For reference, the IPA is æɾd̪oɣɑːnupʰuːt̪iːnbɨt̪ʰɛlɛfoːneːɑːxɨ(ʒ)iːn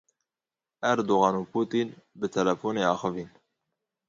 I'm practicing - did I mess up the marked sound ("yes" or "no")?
yes